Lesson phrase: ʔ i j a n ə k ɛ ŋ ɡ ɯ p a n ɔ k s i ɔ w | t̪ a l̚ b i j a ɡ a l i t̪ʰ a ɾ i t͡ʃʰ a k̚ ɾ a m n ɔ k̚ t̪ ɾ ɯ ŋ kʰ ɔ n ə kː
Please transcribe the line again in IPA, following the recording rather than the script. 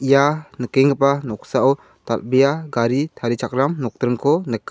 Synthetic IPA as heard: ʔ i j a n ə k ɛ ŋ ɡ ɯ p a n ɔ k s a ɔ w | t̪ a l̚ b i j a ɡ a ɾ i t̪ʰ a ɾ i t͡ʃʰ a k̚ ɾ a m n ɔ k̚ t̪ ɾ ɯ ŋ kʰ ɔ n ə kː